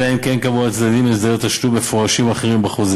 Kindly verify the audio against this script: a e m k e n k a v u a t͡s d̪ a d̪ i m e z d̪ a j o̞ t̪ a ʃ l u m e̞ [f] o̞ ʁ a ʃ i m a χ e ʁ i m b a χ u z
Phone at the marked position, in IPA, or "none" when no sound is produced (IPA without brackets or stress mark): f